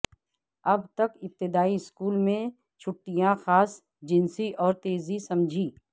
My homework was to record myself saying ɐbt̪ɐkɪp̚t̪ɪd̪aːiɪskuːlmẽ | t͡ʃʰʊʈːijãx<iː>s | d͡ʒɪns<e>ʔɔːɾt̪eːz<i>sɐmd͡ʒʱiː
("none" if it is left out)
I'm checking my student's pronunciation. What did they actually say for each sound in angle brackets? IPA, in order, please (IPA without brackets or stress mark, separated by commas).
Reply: aː, i, i